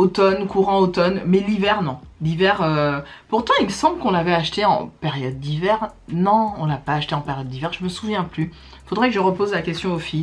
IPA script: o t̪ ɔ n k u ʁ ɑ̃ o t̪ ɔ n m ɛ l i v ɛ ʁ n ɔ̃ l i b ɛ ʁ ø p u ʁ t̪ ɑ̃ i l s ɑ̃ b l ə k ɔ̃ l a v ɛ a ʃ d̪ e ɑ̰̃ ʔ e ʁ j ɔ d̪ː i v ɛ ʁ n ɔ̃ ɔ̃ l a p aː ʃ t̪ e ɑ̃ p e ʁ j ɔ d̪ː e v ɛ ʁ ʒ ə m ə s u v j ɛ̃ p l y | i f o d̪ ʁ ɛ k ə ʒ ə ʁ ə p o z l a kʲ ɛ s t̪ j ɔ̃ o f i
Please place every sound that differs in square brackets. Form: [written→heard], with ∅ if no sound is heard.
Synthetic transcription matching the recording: o t̪ ɔ n k u ʁ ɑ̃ o t̪ ɔ n m ɛ l i v ɛ ʁ n ɔ̃ l i [b→v] ɛ ʁ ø p u ʁ t̪ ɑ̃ i l s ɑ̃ b l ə k ɔ̃ l a v ɛ a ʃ [d̪→t̪] e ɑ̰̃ [ʔ→p] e ʁ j ɔ d̪ː i v ɛ ʁ n ɔ̃ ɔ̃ l a p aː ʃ t̪ e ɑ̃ p e ʁ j ɔ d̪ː [e→i] v ɛ ʁ ʒ ə m ə s u v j ɛ̃ p l y | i f o d̪ ʁ ɛ k ə ʒ ə ʁ ə p o z l a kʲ ɛ s t̪ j ɔ̃ o f i